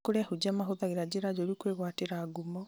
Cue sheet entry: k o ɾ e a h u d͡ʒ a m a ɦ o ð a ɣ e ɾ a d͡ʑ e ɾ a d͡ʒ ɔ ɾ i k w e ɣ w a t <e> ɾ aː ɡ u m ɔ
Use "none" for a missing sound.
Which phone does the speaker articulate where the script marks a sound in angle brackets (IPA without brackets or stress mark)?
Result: e